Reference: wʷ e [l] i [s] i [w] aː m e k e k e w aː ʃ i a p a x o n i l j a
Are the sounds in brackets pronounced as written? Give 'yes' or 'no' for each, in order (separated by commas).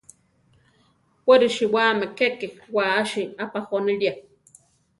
no, no, yes